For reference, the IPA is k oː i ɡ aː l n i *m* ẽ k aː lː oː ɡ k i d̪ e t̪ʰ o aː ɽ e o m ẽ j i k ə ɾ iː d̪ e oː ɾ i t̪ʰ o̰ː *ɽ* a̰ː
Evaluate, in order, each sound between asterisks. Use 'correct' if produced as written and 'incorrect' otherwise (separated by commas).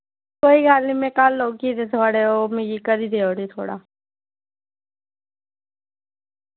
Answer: correct, correct